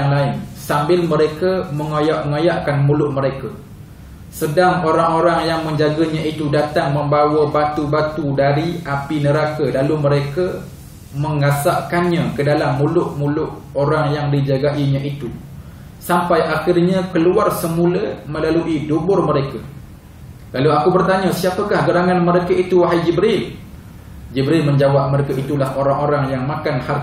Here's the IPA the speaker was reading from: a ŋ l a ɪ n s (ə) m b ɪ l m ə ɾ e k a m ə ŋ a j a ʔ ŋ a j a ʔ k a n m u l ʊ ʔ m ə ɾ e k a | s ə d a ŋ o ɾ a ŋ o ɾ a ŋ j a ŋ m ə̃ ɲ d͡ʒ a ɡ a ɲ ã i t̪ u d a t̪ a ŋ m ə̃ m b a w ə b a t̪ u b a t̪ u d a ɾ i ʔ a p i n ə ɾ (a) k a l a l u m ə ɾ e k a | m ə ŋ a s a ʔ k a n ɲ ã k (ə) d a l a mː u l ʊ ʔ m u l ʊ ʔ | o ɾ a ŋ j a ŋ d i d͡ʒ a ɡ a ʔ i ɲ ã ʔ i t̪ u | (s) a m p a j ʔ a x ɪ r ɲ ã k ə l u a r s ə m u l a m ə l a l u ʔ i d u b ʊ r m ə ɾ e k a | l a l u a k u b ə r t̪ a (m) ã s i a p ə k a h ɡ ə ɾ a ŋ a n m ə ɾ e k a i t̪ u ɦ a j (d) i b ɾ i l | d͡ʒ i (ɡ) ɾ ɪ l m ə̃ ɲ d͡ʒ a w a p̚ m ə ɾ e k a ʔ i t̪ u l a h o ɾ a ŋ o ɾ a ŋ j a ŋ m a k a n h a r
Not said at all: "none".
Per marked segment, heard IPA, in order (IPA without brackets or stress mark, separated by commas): a, a, ə, s, ɲ, d͡ʒ, b